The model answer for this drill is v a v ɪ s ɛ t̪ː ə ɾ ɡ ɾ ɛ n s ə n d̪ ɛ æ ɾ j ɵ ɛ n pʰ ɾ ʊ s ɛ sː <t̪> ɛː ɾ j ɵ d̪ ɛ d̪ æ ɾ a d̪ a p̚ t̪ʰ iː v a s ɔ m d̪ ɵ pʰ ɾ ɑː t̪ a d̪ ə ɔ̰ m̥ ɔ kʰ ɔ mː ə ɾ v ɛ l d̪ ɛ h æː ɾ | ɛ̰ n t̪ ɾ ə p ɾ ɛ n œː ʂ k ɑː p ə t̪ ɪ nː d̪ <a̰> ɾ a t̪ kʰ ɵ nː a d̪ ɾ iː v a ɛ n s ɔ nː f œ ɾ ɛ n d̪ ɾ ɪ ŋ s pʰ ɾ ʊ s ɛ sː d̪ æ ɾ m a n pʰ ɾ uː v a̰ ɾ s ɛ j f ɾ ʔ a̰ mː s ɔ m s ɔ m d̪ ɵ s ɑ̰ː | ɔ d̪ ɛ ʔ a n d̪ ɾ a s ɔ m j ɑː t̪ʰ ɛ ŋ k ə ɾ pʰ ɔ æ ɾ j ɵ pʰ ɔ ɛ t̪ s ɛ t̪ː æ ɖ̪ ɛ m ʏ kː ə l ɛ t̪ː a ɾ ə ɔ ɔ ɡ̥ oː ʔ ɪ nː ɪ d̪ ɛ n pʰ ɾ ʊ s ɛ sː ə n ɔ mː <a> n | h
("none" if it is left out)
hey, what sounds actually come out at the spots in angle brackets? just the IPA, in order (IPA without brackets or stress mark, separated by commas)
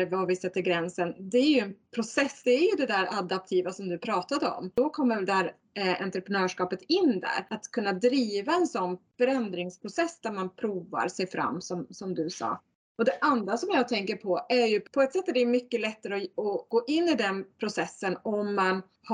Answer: d̪, æ̰, a